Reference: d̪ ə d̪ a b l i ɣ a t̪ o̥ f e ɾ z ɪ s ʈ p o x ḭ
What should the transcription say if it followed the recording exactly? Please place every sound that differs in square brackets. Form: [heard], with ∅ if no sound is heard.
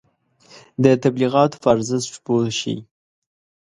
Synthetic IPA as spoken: d̪ ə [t̪] a b l i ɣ [ɑ] t̪ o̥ f [a] ɾ z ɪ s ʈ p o [ʃ] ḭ